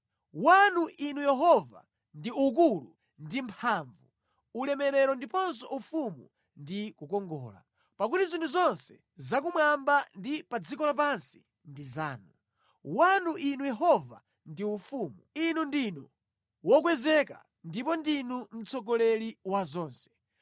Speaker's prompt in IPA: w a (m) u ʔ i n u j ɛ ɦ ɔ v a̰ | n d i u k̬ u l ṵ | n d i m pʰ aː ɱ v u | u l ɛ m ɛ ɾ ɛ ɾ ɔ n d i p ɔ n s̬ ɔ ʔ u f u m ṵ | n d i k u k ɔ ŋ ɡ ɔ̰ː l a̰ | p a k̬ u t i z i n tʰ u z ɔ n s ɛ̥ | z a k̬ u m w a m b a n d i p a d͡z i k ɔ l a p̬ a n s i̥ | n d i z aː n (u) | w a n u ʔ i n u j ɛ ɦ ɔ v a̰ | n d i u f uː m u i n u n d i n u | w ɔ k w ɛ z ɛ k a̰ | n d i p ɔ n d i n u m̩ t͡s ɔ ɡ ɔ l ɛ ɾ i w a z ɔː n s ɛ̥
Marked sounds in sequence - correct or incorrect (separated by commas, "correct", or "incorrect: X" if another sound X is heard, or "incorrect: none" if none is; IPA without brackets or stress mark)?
incorrect: n, correct